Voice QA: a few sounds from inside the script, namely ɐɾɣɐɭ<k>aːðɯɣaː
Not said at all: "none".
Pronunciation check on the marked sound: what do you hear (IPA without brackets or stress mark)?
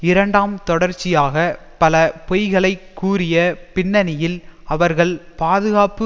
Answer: p